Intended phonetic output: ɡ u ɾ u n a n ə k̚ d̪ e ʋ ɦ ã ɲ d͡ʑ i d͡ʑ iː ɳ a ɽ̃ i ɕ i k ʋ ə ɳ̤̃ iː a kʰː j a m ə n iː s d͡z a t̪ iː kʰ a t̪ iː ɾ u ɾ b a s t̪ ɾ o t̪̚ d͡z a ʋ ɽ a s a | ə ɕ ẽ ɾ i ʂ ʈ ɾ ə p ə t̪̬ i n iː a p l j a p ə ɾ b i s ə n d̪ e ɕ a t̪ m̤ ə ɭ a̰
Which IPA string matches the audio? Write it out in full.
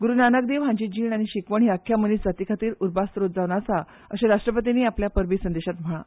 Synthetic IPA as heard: ɡ u ɾ u n a n ə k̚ d̪ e ʋ ɦ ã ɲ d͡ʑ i d͡ʑ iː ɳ a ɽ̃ i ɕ i k ʋ ə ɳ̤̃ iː a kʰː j a m ə n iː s d͡z a t̪ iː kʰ a t̪ iː ɾ u ɾ b a s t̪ ɾ o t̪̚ d͡z a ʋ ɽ a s a | ə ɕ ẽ ɾ a ʂ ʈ ɾ ə p ə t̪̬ i n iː a p l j a p ə ɾ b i s ə n d̪ e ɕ a t̪ m̤ ə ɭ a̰